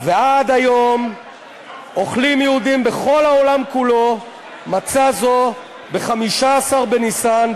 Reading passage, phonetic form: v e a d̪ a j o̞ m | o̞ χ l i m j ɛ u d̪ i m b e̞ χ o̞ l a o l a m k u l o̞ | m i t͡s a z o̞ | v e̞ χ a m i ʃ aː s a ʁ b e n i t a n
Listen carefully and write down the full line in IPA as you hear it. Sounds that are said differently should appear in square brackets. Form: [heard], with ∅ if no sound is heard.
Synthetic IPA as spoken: v e a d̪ a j o̞ m | o̞ χ l i m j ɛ u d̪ i m b e̞ χ o̞ l a o l a m k u l o̞ | m [a] t͡s a z o̞ | [b] e̞ χ a m i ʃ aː s a ʁ b e n i [s] a n